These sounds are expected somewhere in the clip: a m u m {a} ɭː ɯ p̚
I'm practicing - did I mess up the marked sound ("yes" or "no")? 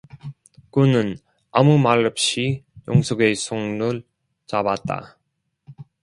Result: no